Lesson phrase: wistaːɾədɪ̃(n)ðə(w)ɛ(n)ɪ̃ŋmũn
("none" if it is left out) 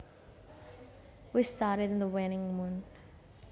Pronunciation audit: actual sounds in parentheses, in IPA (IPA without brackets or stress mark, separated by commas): n, w, n